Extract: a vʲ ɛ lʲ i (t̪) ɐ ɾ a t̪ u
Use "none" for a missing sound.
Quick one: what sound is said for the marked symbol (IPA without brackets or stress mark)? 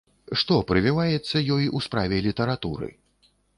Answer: t̪